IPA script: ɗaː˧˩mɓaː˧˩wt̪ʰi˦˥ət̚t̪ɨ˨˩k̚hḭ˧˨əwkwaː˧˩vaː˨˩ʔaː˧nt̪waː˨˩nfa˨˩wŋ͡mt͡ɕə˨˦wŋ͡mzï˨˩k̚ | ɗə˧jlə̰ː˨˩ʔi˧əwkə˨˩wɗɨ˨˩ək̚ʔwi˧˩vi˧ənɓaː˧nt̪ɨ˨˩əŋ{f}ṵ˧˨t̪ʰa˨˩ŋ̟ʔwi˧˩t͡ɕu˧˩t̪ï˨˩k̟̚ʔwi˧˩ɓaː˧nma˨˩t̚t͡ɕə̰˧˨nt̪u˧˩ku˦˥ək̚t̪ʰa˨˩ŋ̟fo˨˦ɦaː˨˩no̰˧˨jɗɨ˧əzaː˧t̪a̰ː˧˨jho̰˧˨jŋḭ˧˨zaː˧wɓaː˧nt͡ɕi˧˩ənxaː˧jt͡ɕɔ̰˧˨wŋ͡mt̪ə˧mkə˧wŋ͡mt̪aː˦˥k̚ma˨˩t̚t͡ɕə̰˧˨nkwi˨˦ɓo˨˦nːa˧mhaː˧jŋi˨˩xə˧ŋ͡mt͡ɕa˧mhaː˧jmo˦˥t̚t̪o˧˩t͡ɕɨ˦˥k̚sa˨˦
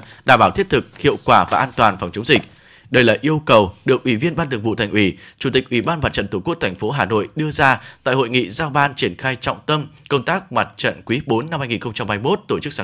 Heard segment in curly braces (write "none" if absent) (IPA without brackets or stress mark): v